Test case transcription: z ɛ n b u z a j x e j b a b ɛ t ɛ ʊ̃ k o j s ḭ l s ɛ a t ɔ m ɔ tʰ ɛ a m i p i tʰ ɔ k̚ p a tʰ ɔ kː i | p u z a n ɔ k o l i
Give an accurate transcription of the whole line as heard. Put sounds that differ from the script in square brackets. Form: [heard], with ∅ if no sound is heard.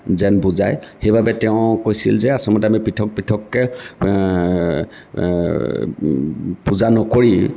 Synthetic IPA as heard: z ɛ n b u z a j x e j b a b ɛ t ɛ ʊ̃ k o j s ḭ l [z] ɛ a [s] ɔ m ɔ [t] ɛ a m i p i tʰ ɔ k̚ p [i] tʰ ɔ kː [ɛ] | p u z a n ɔ k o [ɹ] i